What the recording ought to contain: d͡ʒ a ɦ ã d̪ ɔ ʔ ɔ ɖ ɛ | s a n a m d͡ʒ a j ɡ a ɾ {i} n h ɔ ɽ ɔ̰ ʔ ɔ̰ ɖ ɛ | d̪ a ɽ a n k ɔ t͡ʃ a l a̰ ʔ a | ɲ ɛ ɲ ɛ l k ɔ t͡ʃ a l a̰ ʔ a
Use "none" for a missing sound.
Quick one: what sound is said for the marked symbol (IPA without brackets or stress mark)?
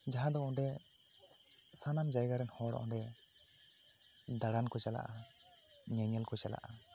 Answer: ɛ